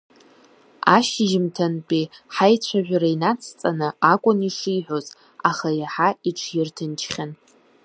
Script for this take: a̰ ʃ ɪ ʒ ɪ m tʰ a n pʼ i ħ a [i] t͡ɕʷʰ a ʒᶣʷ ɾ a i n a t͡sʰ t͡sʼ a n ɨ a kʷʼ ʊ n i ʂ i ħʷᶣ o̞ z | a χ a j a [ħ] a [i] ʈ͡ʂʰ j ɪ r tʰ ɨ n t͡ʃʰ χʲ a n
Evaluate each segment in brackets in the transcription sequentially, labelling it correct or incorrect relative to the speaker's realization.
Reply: incorrect: j, correct, correct

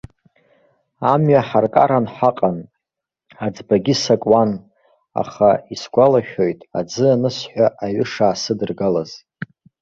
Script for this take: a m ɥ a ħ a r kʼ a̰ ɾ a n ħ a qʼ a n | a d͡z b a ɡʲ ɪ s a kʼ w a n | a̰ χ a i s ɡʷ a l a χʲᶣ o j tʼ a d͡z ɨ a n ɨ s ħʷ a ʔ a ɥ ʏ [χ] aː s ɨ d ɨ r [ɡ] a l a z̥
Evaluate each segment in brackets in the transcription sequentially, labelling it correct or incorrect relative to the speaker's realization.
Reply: incorrect: ʂ, correct

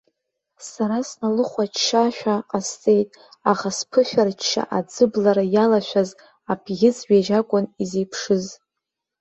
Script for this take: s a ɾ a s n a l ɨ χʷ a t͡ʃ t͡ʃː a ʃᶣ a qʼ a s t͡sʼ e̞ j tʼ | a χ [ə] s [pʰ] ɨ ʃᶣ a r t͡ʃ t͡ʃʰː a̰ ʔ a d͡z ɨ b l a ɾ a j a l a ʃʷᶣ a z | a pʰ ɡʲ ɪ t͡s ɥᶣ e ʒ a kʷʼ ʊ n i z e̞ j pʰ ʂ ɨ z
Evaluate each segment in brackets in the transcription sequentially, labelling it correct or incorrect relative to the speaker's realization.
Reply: incorrect: a, correct

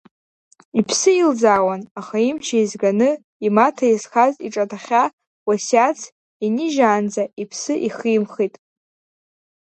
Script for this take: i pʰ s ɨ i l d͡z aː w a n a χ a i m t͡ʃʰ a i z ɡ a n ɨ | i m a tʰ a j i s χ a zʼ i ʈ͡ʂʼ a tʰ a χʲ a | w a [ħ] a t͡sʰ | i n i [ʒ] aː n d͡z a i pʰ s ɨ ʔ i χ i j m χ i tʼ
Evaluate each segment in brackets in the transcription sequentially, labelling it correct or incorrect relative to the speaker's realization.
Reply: incorrect: s, correct

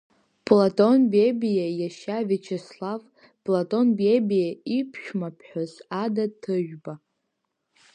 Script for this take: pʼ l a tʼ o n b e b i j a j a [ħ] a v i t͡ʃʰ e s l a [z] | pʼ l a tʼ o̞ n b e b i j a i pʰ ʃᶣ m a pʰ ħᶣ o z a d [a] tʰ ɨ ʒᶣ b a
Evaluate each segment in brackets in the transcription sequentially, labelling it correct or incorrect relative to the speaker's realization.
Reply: incorrect: ʃ, incorrect: v, correct

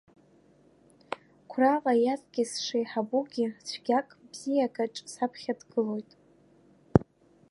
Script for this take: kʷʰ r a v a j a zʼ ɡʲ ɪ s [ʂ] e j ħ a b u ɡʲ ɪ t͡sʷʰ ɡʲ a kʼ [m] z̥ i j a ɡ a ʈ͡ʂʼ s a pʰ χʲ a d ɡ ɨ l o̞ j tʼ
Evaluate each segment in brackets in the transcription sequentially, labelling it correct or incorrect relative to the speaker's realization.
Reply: correct, incorrect: b

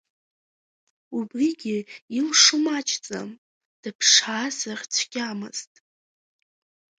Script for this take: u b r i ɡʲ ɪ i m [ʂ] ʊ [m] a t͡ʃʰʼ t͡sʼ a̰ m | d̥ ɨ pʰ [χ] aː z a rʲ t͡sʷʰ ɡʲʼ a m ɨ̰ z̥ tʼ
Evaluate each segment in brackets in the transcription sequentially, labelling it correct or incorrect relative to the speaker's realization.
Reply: correct, correct, incorrect: ʂ

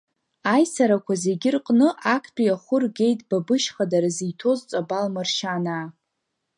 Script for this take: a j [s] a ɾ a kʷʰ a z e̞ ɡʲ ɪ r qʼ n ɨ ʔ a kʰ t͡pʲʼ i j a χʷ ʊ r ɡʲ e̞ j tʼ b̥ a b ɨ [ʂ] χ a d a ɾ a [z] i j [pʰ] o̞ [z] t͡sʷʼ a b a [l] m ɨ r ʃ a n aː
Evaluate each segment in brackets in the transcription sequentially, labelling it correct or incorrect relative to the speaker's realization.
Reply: correct, incorrect: ʃ, correct, incorrect: tʰ, correct, correct

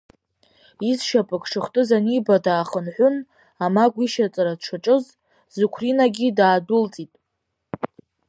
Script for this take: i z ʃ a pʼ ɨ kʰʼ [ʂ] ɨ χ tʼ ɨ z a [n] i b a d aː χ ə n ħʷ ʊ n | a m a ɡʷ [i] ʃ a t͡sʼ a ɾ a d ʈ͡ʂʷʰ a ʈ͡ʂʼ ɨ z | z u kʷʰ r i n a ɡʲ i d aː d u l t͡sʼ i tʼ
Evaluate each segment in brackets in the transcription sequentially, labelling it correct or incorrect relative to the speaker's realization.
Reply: correct, correct, correct

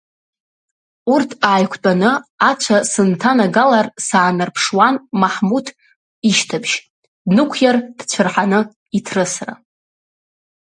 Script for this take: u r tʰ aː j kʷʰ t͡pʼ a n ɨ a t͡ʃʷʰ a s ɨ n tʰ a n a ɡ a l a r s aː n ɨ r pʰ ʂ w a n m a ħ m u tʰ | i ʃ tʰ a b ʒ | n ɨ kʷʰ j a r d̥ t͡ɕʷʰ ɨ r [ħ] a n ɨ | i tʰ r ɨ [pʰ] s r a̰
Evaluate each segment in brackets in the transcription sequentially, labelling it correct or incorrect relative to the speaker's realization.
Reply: correct, incorrect: none

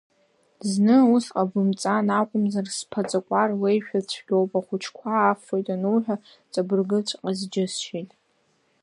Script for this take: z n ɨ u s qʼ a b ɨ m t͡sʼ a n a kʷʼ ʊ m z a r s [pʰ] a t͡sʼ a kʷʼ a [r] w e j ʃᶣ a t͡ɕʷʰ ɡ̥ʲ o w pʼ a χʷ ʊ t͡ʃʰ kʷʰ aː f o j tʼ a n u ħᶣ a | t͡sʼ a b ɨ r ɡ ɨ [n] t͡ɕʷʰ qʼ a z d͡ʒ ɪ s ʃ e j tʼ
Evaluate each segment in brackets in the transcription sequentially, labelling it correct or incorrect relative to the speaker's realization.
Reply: correct, correct, incorrect: none

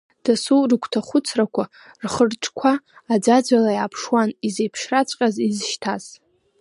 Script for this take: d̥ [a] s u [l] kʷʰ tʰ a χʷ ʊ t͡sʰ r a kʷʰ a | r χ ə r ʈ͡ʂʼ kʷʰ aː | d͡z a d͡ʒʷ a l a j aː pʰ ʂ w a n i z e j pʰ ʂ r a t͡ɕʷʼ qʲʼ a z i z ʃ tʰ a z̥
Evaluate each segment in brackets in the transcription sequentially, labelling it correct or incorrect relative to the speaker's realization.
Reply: correct, incorrect: r

